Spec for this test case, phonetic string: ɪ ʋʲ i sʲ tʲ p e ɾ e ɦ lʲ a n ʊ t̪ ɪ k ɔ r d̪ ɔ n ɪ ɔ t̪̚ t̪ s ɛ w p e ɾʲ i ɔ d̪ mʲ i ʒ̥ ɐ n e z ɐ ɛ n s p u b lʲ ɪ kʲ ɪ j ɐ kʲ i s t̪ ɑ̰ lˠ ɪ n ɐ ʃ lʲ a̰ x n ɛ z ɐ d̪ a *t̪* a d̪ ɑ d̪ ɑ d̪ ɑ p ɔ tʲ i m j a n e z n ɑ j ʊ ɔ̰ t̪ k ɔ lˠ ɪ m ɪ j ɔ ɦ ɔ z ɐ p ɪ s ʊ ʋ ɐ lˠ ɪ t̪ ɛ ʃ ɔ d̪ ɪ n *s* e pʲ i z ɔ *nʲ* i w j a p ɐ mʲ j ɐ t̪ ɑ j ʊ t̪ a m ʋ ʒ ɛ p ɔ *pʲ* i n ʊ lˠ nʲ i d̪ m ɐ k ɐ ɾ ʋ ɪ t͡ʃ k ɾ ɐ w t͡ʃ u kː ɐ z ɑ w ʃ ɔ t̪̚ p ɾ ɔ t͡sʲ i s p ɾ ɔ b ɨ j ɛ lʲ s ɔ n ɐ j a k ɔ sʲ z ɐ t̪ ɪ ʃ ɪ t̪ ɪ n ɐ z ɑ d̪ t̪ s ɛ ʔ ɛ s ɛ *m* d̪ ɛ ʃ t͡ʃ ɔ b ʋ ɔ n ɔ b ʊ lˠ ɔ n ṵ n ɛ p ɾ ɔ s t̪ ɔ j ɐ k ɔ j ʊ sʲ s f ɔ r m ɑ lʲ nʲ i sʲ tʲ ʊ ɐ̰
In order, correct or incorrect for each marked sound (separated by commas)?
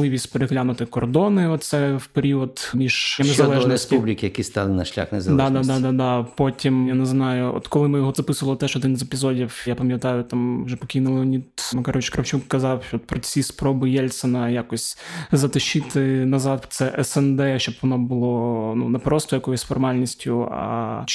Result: incorrect, incorrect, incorrect, incorrect, incorrect